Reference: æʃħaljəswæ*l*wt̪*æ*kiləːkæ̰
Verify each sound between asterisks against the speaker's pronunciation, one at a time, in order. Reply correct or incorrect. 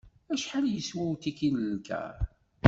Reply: incorrect: none, incorrect: i

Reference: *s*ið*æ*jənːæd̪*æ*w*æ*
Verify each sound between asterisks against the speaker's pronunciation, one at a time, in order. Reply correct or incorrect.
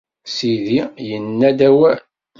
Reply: correct, incorrect: i, correct, correct

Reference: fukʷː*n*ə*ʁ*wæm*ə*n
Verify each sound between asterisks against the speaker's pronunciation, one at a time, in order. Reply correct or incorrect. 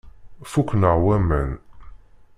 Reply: correct, correct, correct

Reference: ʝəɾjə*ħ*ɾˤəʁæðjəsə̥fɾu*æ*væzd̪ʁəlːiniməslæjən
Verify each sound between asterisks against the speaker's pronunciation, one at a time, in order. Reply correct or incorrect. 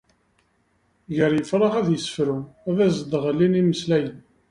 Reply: incorrect: f, correct

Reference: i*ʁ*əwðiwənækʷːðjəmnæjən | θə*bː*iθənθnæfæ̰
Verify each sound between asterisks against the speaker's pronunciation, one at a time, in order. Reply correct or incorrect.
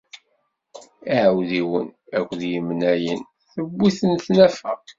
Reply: incorrect: ʕ, correct

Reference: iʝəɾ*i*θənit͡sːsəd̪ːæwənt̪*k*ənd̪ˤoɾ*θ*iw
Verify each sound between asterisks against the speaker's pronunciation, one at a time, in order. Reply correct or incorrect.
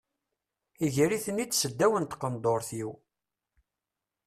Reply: correct, incorrect: q, correct

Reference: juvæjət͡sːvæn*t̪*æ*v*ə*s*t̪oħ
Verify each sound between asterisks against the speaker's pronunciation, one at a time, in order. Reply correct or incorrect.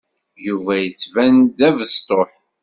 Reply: incorrect: d̪, correct, correct

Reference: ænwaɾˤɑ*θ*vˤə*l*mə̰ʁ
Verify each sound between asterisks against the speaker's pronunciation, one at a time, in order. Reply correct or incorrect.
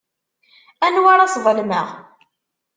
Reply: incorrect: s, correct

